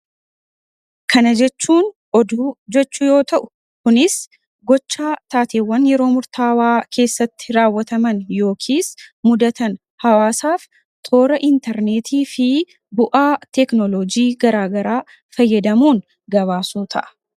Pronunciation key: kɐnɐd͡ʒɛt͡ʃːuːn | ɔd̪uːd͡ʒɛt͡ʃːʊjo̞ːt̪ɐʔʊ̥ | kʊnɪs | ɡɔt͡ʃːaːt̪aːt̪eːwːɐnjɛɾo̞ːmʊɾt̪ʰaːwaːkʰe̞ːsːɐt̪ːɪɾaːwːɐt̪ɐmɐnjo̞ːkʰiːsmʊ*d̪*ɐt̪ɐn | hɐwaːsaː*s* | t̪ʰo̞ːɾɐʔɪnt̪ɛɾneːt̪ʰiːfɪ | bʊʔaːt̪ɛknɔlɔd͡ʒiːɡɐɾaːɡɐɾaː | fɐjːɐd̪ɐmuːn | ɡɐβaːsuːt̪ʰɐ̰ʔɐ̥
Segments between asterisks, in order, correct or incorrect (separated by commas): correct, incorrect